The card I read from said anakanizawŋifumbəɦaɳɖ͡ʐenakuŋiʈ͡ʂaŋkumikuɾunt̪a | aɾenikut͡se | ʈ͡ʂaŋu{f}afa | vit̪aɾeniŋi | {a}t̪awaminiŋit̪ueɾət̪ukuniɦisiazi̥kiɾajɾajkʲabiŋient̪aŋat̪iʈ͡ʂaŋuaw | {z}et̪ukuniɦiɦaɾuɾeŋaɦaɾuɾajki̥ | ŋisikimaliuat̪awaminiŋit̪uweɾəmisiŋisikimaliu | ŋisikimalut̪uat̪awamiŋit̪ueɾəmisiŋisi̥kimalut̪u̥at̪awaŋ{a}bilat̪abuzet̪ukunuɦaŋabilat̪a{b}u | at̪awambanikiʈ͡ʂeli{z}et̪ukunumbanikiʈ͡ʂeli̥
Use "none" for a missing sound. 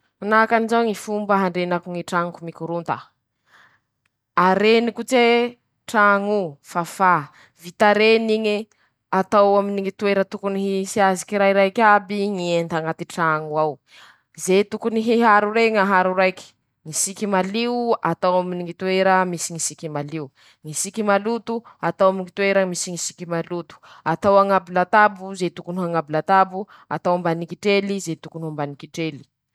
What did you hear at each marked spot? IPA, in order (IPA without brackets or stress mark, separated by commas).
f, a, z, a, b, z